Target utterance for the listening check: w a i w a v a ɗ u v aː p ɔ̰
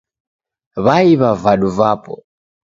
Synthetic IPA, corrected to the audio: β a i β a v a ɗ u v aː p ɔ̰